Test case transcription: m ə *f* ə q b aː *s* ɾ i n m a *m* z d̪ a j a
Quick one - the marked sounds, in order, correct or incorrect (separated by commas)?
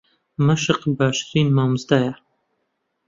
incorrect, incorrect, correct